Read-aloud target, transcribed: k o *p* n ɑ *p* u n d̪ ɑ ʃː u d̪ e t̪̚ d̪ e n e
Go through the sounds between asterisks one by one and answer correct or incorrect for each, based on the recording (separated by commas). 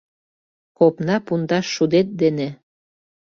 correct, correct